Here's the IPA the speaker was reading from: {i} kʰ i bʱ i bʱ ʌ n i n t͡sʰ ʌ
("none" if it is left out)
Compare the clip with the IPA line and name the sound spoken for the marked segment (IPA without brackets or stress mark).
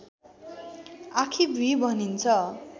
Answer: a